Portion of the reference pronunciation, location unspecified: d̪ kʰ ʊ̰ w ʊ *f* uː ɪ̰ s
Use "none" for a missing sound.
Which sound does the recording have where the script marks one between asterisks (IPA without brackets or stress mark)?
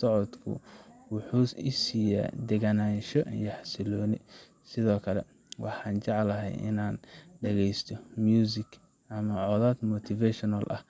ħ